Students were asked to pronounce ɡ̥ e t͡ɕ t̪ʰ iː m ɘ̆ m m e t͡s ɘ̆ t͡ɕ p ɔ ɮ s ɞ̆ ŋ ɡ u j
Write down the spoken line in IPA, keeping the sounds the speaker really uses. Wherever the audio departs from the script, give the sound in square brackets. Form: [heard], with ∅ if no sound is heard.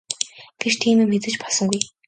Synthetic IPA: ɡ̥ e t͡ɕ t̪ʰ iː m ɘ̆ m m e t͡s ɘ̆ t͡ɕ p ɔ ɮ s ɞ̆ ŋ ɡ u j